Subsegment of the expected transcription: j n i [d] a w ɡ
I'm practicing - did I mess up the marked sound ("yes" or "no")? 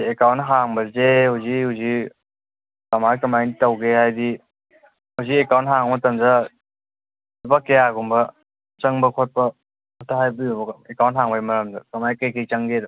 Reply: yes